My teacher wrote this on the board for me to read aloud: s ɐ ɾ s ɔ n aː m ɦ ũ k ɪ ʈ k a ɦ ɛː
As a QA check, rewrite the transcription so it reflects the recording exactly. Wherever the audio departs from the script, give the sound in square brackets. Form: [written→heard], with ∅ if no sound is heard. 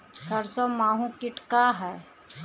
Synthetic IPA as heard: s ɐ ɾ s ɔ [n→m] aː [m→∅] ɦ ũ k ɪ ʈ k a ɦ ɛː